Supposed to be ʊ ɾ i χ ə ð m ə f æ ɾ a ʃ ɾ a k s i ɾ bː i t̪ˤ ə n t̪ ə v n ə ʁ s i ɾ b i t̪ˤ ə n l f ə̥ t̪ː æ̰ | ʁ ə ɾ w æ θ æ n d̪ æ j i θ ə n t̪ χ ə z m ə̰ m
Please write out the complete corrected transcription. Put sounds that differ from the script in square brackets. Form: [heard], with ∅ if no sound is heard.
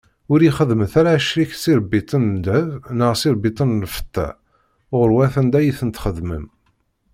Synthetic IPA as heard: ʊ ɾ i χ ə ð m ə [θ] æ ɾ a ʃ ɾ [i] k s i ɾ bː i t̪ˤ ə n [d̪] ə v n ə ʁ s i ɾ b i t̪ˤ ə n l f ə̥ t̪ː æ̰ | ʁ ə ɾ w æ θ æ n d̪ æ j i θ ə n t̪ χ ə [ð] m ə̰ m